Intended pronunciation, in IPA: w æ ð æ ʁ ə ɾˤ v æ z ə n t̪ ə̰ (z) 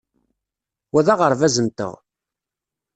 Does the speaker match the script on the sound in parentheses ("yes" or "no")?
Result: no